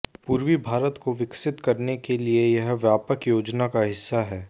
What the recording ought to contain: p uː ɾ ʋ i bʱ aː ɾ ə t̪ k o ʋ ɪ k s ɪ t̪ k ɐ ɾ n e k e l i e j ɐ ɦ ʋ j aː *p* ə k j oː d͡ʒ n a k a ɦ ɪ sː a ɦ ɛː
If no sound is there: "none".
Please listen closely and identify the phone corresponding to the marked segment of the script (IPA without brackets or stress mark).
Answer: p